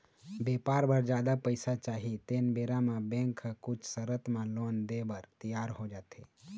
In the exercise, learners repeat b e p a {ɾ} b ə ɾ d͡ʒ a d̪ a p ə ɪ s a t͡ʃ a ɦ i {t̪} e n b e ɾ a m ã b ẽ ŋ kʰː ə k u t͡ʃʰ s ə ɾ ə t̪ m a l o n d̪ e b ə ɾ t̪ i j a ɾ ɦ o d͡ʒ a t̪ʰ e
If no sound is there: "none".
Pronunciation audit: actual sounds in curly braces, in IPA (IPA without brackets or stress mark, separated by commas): ɾ, t̪